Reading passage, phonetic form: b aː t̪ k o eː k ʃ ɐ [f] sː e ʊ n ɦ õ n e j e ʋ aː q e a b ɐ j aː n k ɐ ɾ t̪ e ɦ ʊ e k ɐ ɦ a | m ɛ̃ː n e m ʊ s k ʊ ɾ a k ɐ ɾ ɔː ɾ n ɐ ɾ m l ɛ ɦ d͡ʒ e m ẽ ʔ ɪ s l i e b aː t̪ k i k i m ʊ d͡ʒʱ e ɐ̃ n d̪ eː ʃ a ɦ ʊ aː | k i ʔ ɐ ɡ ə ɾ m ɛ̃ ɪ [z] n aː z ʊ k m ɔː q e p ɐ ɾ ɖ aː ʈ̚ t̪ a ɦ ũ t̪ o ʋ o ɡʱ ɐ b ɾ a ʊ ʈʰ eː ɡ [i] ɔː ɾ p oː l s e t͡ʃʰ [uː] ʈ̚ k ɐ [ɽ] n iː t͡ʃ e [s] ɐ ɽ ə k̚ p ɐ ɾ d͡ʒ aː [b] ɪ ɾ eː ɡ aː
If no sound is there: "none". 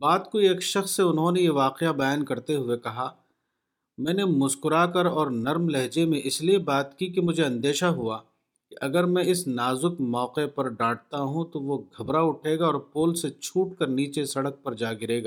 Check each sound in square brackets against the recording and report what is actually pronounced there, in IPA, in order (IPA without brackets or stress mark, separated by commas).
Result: x, s, a, uː, ɾ, s, ɡ